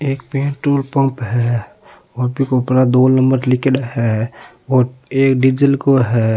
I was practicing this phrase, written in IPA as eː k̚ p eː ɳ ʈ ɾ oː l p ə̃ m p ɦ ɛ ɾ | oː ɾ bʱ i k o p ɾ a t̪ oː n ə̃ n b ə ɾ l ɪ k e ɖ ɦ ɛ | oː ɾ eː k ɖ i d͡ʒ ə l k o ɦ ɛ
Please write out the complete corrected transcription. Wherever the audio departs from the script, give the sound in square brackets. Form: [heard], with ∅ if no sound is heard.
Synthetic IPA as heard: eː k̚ p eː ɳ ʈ ɾ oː l p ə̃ m p ɦ ɛ [∅] | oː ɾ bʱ i k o p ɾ a [d̪] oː n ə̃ [m] b ə ɾ l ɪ k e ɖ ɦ ɛ | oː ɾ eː k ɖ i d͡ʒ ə l k o ɦ ɛ